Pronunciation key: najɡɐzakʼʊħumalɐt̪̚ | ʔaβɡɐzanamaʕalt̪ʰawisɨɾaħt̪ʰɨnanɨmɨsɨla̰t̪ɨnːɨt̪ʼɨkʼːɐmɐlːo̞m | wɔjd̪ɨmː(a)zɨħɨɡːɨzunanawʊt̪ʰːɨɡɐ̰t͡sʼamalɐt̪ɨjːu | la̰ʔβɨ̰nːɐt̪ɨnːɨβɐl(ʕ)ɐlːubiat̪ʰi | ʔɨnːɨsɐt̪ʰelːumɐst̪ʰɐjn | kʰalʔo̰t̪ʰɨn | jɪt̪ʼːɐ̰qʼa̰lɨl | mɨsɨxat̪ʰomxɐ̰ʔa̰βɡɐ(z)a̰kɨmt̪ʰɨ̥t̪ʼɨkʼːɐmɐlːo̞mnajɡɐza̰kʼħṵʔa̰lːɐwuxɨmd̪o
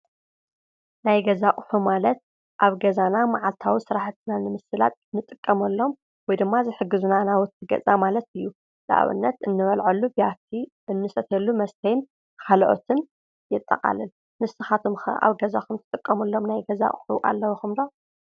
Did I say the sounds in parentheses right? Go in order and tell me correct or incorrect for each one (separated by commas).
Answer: correct, correct, correct